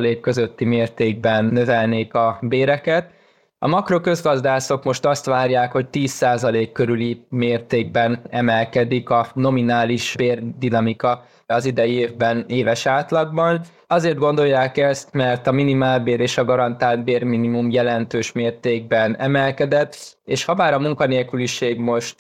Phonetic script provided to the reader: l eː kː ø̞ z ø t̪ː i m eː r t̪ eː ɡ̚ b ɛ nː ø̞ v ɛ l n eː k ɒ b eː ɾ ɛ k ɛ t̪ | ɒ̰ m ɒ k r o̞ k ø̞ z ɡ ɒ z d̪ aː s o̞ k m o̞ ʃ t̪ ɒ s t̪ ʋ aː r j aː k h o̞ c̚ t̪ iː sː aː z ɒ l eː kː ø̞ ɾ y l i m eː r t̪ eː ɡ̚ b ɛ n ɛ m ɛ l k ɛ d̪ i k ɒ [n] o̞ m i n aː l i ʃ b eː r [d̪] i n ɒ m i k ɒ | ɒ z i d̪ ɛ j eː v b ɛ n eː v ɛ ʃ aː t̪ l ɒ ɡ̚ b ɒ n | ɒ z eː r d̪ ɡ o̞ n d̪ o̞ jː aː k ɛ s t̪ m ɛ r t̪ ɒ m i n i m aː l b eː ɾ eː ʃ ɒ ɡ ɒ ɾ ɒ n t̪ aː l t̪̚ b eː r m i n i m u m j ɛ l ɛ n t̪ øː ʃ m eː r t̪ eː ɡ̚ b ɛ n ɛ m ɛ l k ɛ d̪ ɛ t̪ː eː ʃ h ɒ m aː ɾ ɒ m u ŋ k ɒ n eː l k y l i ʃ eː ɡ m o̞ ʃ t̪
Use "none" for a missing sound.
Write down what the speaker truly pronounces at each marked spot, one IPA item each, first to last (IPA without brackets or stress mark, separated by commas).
n, d̪